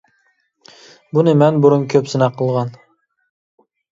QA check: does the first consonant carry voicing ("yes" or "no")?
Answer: yes